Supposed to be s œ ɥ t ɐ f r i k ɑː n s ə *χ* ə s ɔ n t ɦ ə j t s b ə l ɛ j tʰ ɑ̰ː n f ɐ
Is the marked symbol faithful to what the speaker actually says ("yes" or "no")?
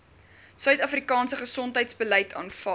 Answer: yes